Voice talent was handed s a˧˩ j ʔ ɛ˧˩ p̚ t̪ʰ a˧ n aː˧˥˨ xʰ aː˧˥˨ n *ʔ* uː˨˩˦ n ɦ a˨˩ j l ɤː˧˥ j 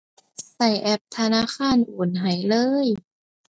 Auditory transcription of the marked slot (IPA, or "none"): ʔ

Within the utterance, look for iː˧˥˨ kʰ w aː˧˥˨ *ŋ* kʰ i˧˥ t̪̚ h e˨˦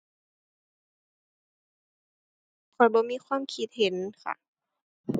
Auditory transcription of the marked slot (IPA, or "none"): m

